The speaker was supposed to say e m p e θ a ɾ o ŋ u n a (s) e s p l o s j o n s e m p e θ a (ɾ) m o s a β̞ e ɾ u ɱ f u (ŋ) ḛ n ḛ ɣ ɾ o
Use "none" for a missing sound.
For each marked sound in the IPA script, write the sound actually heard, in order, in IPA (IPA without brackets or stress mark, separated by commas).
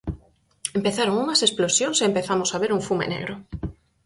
s, none, m